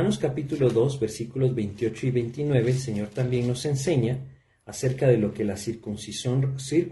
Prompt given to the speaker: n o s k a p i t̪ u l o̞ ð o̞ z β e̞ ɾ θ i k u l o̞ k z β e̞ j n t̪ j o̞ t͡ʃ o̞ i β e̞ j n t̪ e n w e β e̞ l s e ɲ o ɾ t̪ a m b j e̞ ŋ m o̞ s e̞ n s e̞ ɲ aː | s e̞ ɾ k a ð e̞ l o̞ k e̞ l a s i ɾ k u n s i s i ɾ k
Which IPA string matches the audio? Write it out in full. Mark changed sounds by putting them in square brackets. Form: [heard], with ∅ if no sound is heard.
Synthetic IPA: n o s k a p i t̪ u l o̞ ð o̞ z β e̞ ɾ [s] i k u l o̞ [∅] z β e̞ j n t̪ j o̞ t͡ʃ o̞ i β e̞ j n t̪ [i] n w e β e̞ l s e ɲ o ɾ t̪ a m b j e̞ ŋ [n] o̞ s e̞ n s e̞ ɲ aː | s e̞ ɾ k a ð e̞ l o̞ k e̞ l a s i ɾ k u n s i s i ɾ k